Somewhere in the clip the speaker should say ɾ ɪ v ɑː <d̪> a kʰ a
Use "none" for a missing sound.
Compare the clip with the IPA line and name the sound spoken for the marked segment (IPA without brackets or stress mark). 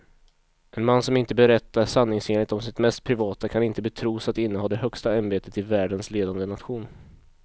t̪